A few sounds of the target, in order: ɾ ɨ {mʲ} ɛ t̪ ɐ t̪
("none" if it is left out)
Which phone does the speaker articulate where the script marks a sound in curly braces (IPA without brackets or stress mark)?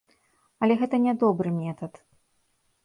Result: mʲ